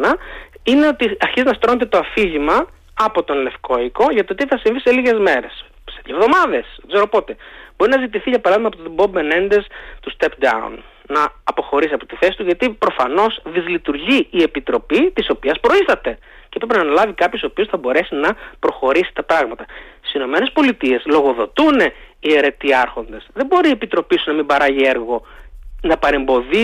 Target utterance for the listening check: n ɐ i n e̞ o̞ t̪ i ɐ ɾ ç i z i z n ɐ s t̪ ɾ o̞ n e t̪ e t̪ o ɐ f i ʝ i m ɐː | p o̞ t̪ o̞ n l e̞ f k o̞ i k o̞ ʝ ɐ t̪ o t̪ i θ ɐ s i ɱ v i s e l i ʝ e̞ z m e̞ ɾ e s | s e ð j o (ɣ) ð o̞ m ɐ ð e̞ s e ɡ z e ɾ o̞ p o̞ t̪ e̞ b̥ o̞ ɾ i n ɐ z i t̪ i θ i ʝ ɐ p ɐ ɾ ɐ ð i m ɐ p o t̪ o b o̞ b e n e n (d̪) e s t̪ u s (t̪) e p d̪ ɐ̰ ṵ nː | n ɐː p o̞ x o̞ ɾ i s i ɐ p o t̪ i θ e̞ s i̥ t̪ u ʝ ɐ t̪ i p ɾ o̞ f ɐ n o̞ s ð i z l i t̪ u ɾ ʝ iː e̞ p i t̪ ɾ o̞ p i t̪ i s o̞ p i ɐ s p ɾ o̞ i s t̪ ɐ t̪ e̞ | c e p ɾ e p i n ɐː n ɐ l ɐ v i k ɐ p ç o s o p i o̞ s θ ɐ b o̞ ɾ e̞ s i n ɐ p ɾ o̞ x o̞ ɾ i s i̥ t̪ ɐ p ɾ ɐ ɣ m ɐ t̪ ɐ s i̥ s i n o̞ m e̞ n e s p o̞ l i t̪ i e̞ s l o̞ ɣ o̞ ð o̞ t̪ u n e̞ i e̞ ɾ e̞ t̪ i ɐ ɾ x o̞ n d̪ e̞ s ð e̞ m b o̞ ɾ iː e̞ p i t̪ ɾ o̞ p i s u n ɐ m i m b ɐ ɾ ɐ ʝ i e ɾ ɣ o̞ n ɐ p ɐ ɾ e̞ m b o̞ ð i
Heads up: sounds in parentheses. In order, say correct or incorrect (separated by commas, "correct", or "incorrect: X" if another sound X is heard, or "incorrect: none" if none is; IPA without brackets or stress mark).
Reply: incorrect: v, correct, correct